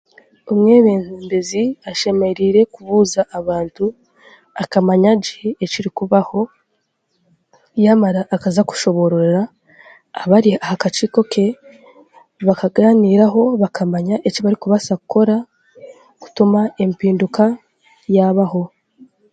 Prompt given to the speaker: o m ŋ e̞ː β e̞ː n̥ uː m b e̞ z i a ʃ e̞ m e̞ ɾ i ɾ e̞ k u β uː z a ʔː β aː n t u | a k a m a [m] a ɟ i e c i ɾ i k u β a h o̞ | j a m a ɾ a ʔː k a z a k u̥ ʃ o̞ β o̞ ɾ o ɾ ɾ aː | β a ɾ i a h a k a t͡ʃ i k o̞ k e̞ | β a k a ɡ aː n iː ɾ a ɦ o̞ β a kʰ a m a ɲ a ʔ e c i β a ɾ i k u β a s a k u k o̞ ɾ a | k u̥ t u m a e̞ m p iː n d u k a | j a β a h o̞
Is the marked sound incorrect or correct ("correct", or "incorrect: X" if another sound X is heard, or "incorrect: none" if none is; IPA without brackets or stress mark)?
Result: incorrect: ɲ